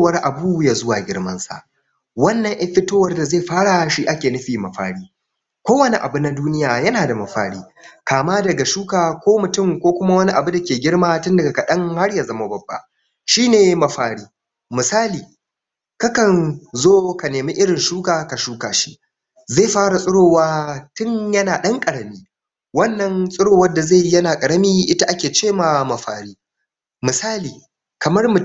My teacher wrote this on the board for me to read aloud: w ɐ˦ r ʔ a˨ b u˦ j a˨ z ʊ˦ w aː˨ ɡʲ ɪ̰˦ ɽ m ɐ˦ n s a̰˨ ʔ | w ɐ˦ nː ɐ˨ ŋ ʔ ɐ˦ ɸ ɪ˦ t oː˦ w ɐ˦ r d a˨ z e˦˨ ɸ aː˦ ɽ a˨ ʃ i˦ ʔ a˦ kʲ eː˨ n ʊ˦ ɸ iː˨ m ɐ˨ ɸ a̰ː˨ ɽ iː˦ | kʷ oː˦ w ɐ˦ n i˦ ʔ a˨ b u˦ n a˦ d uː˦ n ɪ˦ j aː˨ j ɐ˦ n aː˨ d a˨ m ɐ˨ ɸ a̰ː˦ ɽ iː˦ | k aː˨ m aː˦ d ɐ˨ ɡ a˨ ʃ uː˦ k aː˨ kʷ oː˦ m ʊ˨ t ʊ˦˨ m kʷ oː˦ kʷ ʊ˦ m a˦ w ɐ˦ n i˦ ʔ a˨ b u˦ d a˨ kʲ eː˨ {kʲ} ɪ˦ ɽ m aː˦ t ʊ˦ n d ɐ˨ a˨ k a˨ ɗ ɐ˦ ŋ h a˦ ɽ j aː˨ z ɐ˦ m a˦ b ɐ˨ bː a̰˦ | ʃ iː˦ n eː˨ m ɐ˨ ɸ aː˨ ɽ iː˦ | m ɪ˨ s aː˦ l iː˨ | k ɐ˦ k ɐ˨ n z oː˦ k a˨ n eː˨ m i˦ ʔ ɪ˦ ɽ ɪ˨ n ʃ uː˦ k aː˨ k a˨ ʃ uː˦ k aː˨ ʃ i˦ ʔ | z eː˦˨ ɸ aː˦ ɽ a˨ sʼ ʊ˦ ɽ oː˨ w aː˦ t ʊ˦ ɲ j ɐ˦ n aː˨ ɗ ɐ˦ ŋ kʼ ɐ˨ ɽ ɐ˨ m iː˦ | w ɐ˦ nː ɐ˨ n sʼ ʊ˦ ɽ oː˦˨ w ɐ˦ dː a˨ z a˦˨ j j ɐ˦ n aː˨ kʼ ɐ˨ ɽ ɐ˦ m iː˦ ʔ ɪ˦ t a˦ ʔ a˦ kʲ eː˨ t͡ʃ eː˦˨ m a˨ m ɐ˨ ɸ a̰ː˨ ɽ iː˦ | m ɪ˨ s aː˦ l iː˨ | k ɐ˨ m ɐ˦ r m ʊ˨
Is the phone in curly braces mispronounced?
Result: yes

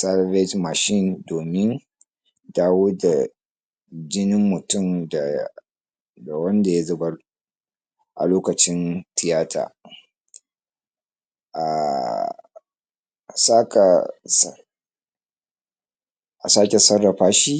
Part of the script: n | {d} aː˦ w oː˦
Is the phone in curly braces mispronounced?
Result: no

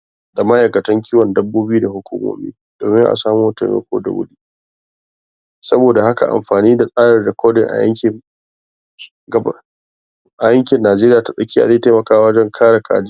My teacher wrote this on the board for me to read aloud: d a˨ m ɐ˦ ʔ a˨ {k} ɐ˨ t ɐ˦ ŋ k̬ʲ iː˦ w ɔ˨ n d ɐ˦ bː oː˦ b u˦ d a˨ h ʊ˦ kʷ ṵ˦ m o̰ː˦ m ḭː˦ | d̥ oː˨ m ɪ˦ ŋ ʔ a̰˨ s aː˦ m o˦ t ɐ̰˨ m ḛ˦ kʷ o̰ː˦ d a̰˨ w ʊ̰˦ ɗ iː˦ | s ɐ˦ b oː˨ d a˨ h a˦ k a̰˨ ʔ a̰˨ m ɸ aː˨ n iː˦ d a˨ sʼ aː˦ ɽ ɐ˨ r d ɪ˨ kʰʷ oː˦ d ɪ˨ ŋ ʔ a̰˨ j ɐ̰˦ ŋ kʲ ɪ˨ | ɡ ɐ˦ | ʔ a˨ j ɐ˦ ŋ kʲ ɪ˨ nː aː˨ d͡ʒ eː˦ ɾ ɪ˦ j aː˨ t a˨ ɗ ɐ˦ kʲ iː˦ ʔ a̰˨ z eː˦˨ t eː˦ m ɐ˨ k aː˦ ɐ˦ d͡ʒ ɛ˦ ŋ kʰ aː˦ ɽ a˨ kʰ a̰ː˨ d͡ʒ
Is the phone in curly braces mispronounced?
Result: no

